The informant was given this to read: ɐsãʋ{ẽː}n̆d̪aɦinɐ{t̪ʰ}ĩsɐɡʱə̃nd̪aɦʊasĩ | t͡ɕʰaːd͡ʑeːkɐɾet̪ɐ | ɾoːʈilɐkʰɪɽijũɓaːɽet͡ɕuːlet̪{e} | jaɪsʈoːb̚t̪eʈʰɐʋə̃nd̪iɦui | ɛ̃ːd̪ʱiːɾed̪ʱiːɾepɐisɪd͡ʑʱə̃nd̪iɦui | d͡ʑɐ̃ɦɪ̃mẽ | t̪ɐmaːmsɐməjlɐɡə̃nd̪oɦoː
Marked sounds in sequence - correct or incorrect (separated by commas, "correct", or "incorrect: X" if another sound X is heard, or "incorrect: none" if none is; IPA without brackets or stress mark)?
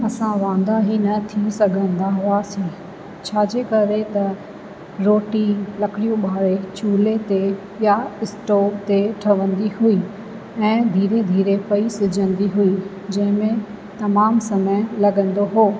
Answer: incorrect: ãː, correct, correct